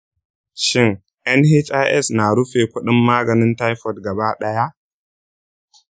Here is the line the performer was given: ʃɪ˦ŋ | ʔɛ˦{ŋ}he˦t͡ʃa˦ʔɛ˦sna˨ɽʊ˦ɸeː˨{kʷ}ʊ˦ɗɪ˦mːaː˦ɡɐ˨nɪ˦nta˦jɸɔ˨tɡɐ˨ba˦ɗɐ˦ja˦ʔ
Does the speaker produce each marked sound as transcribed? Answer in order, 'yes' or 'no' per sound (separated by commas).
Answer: no, yes